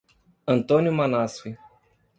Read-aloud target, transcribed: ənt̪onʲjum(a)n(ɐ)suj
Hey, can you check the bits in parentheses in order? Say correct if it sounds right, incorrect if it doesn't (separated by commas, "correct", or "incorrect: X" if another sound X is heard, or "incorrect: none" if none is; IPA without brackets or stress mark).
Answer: correct, incorrect: a